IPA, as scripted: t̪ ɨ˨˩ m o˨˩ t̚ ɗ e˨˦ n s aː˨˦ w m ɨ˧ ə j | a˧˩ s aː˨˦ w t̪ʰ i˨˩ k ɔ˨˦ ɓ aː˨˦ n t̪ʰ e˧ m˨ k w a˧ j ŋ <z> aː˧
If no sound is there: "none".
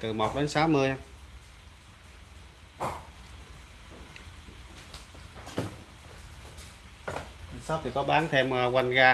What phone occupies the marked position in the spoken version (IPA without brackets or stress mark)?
ɣ